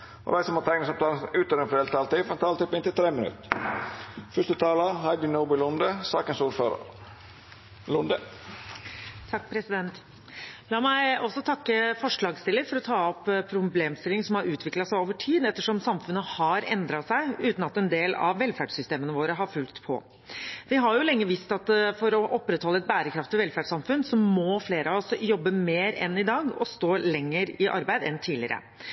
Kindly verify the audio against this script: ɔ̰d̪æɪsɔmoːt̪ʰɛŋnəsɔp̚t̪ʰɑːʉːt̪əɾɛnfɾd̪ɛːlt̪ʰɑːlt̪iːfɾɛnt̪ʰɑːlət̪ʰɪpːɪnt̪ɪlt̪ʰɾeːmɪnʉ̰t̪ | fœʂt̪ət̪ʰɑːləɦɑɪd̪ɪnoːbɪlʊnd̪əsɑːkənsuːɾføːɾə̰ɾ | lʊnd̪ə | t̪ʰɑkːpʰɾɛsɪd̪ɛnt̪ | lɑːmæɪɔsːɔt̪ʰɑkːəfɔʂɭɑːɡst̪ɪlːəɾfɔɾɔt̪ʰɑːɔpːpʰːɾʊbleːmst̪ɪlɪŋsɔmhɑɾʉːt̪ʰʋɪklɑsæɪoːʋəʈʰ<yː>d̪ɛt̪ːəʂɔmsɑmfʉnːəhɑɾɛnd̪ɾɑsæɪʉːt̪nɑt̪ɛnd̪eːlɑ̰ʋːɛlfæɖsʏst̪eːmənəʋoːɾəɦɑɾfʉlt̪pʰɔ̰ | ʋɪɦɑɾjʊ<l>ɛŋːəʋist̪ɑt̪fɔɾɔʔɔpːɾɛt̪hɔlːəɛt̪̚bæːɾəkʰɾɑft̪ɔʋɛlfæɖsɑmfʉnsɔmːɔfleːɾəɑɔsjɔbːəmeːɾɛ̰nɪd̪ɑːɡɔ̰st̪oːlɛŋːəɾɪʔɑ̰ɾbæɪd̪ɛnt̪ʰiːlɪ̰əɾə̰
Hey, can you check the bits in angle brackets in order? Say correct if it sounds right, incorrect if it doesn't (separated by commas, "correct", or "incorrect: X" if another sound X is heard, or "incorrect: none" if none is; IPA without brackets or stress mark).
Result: incorrect: iː, correct